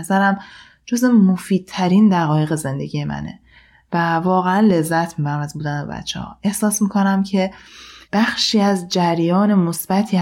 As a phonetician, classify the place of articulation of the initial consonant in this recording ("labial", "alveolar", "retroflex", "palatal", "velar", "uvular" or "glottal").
alveolar